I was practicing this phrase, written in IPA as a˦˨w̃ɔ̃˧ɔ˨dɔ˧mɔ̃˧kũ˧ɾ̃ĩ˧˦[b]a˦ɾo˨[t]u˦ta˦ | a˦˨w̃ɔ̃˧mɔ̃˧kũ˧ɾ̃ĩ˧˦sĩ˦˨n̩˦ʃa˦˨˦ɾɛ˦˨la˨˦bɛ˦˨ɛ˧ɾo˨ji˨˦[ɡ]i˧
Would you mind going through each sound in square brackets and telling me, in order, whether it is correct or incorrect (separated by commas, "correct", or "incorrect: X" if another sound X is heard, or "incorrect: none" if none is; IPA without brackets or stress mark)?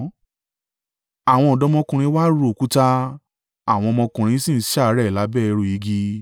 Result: incorrect: w, incorrect: k, correct